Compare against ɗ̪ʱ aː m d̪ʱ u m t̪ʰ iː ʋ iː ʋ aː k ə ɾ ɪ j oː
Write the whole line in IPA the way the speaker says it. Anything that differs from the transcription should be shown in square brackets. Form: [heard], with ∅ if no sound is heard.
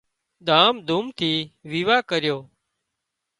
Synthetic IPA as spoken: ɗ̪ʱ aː m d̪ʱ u m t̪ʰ iː ʋ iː ʋ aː k ə ɾ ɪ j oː